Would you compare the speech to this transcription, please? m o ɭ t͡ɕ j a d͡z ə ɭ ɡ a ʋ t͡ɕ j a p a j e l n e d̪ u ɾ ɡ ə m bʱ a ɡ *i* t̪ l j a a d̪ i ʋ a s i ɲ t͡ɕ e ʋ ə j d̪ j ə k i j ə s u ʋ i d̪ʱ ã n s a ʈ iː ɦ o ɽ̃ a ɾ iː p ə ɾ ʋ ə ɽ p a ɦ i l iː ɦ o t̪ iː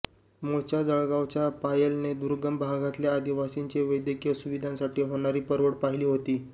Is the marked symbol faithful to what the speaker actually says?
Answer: no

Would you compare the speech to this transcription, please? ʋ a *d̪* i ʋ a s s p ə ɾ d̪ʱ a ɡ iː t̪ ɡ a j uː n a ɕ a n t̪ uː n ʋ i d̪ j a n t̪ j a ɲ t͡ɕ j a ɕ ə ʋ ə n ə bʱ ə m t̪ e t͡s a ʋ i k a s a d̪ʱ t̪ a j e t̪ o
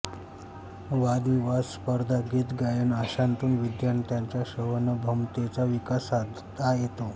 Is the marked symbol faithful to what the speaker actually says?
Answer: yes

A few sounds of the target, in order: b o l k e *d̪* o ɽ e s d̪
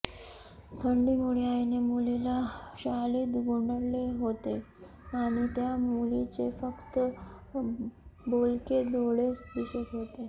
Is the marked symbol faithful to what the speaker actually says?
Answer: yes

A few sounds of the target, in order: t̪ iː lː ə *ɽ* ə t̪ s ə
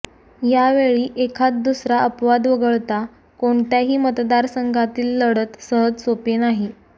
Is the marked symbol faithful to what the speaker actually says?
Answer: yes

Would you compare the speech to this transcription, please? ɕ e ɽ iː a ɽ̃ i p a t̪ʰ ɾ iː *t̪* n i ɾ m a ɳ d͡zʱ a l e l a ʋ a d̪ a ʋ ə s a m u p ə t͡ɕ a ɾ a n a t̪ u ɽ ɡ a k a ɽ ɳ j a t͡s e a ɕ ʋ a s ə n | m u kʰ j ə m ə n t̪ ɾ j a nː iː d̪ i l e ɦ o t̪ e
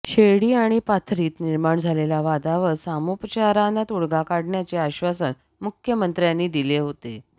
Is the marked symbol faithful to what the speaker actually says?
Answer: yes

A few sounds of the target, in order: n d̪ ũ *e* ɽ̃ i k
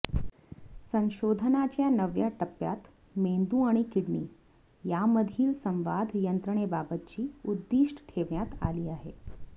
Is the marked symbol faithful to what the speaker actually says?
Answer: no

